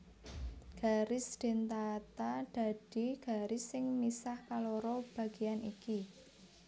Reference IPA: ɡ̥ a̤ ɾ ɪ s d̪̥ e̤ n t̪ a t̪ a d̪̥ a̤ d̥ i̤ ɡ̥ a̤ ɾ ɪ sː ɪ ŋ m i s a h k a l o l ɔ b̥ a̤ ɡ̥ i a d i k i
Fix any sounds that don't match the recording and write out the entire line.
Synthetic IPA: ɡ̥ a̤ ɾ ɪ s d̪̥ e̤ n t̪ a t̪ a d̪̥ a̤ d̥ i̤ ɡ̥ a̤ ɾ ɪ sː ɪ ŋ m i s a h k a l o ɾ ɔ b̥ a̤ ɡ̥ i a n i k i